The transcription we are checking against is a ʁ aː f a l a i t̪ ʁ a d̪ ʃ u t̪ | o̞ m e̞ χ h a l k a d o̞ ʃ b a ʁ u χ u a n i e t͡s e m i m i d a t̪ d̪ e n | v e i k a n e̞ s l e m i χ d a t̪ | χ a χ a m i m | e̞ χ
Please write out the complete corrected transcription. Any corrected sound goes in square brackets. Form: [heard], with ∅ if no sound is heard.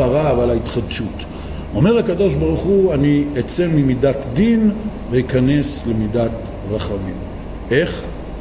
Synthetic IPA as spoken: a ʁ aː [v] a l a i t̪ [χ] a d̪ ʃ u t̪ | o̞ m e̞ [ʁ] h a [∅] k a d o̞ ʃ b a ʁ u χ u a n i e t͡s e m i m i d a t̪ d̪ [i] n | v e i k a n e̞ s l e m i [∅] d a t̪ | [ʁ] a χ a m i m | e̞ χ